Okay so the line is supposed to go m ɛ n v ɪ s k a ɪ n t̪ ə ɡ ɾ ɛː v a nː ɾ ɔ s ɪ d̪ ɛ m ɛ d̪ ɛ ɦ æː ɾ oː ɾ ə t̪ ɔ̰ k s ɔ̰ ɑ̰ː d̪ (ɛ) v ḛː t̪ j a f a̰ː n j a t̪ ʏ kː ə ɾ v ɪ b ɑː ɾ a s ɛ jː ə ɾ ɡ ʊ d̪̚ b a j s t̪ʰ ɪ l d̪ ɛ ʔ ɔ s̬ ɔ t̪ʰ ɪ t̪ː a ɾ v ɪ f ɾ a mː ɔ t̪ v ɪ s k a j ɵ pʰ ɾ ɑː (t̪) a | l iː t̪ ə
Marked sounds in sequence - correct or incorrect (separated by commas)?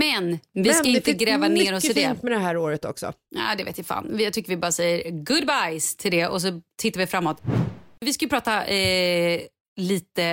correct, correct